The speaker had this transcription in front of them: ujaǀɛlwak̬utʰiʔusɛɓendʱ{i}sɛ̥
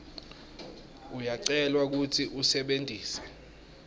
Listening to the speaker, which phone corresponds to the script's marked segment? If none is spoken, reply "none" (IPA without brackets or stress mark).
iː